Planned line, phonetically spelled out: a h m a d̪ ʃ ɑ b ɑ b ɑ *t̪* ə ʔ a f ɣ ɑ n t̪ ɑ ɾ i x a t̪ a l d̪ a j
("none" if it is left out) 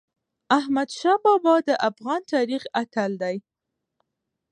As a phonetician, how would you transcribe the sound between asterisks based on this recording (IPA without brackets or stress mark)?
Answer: d̪